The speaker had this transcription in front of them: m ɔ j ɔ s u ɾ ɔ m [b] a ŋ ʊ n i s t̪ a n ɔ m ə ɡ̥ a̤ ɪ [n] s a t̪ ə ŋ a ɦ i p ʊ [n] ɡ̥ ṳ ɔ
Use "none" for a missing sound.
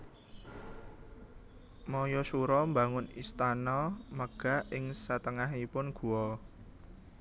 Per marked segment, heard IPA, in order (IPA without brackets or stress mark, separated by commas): b, ŋ, n